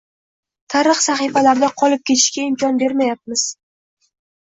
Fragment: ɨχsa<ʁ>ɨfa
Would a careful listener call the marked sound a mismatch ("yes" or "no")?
yes